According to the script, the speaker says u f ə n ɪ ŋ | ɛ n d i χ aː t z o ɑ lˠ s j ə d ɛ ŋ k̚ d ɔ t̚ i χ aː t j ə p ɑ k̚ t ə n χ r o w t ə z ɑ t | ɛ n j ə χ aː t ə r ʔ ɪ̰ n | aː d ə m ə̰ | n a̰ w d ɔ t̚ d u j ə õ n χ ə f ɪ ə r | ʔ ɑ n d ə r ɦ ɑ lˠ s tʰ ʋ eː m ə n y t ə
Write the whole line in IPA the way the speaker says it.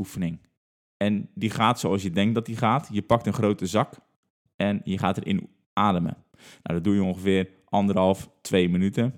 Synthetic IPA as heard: u f ə n ɪ ŋ | ɛ n d i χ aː t s o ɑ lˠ s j ə d ɛ ŋ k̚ d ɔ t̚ i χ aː t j ə p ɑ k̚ t ə n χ r o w t ə z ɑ k | ɛ n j ə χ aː t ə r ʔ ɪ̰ n | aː d ə m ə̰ | n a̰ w d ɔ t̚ d u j ə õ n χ ə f ɪ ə r | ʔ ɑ n d ə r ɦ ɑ lˠ f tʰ ʋ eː m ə n y t ə